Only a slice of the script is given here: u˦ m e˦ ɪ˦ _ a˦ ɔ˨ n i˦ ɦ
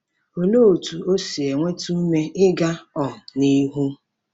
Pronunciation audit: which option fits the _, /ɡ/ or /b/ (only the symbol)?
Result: ɡ